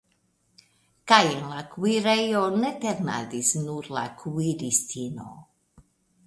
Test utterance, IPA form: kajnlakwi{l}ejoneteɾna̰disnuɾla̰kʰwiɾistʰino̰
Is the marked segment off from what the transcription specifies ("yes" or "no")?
yes